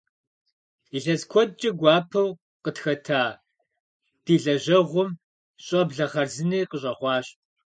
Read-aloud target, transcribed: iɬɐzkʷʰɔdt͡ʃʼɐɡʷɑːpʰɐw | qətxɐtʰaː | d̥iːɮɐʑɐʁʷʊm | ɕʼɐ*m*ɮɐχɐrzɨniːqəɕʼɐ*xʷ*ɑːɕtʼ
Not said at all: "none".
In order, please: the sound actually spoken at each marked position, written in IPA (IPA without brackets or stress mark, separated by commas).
b, χʷ